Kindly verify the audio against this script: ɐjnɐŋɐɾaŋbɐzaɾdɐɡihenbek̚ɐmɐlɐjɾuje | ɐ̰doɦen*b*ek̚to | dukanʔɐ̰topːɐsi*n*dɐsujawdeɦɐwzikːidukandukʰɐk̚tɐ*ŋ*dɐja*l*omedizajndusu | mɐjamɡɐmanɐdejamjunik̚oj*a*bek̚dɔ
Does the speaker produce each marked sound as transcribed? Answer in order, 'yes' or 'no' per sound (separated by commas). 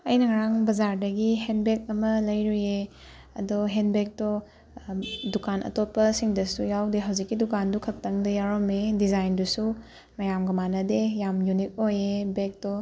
yes, no, yes, no, no